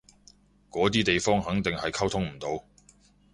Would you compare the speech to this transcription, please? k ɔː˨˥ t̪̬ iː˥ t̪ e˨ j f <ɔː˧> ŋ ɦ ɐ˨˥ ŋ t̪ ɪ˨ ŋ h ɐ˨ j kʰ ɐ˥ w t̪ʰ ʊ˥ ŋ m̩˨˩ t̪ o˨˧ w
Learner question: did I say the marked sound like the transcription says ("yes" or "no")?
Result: no